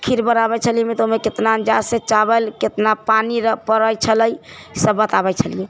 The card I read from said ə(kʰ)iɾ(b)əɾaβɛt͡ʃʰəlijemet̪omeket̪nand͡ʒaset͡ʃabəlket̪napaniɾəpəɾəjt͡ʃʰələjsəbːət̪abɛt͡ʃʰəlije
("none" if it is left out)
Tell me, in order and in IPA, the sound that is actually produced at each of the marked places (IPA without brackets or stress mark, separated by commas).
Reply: kʰ, b